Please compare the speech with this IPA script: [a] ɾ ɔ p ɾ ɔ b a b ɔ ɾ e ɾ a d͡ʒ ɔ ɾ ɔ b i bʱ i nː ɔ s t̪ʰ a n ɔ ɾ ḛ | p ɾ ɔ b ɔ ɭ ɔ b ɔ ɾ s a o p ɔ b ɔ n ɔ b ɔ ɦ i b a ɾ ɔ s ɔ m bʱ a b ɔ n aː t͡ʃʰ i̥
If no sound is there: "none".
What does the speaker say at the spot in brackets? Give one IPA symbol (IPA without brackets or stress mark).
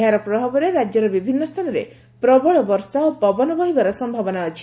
a